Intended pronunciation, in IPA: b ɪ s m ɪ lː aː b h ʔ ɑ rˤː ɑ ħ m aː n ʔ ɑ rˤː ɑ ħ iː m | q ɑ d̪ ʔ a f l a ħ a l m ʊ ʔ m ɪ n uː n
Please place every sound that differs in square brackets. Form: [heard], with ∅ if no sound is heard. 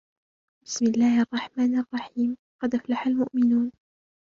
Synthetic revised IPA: b ɪ s m ɪ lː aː [∅] h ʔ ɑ rˤː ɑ ħ m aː n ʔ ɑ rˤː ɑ ħ iː m | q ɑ d̪ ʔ a f l a ħ a l m ʊ ʔ m ɪ n uː n